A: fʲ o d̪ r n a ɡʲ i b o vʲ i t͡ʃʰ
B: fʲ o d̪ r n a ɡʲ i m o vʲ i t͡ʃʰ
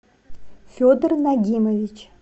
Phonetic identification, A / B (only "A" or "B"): B